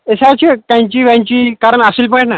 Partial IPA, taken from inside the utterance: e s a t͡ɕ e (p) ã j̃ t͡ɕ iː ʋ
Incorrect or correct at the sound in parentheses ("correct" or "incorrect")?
incorrect